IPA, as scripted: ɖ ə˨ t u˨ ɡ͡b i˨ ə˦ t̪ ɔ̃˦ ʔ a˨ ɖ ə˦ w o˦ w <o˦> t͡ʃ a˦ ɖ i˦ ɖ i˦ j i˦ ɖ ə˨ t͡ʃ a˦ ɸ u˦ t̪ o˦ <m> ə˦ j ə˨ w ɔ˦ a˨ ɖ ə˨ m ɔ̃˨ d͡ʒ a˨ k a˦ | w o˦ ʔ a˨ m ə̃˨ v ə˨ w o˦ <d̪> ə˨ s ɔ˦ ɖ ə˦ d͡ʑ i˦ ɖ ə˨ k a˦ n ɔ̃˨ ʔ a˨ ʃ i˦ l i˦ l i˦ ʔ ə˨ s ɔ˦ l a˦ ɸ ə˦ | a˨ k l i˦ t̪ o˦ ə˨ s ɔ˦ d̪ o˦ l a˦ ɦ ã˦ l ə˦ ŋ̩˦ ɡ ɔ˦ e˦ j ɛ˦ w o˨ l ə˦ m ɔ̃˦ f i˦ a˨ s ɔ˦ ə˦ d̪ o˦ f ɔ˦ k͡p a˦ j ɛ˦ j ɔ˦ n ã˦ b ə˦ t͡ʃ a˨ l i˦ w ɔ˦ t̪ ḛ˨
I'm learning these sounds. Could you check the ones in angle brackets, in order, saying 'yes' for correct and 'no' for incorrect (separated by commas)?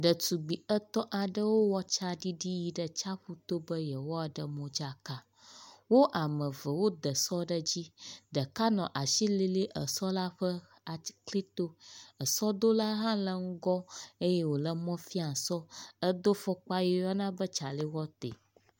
no, no, yes